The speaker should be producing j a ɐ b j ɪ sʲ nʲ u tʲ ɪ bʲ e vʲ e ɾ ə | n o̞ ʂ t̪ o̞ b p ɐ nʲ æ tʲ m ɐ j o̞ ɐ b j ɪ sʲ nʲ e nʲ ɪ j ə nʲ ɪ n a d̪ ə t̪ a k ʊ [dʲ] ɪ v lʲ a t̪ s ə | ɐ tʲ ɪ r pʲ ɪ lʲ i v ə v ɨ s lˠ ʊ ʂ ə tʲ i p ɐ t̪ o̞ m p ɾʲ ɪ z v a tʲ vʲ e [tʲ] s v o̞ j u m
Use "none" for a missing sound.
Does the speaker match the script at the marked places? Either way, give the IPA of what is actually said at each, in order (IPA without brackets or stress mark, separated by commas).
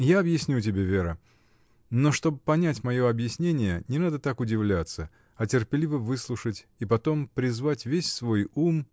dʲ, sʲ